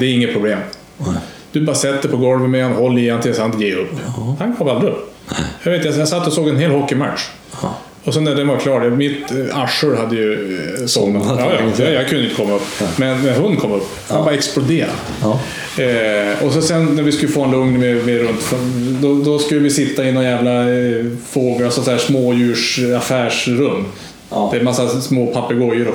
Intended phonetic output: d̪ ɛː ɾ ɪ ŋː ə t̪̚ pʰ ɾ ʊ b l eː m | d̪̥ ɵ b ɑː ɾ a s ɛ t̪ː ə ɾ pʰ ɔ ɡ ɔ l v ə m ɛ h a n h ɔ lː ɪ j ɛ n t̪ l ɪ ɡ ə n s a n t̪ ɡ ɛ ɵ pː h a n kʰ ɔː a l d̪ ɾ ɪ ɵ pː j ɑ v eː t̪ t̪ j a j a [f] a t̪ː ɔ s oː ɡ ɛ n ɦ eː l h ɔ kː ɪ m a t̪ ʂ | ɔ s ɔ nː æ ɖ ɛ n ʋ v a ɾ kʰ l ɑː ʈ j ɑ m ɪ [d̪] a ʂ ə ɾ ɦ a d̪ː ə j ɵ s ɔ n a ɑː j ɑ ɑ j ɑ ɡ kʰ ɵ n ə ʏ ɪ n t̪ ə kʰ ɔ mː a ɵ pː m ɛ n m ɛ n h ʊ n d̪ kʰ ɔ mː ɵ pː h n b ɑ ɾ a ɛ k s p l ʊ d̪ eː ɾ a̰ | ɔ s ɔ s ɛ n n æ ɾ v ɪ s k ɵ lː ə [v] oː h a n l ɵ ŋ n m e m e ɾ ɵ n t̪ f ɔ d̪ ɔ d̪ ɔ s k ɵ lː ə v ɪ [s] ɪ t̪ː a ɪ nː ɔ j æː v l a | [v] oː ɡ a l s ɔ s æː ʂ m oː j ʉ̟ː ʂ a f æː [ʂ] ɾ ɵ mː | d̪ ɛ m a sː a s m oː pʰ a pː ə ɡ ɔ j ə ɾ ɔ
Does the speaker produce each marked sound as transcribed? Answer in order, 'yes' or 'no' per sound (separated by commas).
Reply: no, no, no, yes, no, yes